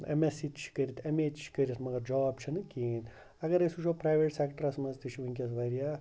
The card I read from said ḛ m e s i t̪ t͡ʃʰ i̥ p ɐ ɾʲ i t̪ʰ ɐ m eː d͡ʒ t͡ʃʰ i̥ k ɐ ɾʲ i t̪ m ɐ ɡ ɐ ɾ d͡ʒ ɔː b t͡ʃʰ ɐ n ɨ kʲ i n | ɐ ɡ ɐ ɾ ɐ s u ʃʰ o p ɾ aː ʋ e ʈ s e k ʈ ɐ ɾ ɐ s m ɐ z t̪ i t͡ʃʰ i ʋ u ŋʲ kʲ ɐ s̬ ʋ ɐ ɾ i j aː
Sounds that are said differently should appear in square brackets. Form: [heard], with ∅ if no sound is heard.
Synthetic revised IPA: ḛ m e s i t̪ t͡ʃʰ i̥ [k] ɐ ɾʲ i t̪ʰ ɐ m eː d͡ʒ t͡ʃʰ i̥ k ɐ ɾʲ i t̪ m ɐ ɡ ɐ ɾ d͡ʒ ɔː b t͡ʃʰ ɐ n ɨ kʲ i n | ɐ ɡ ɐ ɾ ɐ s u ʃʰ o p ɾ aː ʋ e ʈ s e k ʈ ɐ ɾ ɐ s m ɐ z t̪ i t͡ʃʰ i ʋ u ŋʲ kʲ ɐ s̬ ʋ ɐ ɾ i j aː